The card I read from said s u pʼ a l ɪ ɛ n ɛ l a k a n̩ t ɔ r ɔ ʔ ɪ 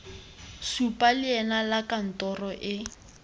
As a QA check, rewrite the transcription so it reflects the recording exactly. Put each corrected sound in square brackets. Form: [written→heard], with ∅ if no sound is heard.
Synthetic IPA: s u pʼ a l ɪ ɛ n [ɛ→a] l a k a n̩ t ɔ r ɔ ʔ ɪ